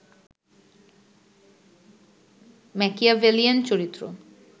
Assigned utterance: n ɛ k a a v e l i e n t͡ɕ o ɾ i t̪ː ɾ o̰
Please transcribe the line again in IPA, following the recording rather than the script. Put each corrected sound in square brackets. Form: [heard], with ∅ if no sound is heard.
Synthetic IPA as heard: [m] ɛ k [i] a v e l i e n t͡ɕ o ɾ i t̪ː ɾ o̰